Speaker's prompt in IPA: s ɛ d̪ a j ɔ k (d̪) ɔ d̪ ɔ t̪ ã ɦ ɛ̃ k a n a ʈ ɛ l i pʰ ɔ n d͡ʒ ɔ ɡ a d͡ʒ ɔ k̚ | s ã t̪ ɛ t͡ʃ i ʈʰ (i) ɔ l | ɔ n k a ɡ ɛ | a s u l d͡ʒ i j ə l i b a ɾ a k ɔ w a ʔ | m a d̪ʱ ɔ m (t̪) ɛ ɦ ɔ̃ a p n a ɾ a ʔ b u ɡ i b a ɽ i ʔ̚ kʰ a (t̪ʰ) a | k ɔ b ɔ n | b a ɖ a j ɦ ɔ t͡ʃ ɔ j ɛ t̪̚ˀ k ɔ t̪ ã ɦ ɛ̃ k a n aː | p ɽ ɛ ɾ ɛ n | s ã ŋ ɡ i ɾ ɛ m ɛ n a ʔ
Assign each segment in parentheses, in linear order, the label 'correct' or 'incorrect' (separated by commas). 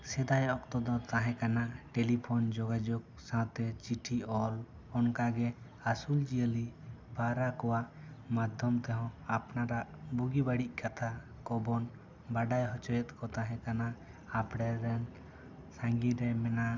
incorrect, correct, correct, correct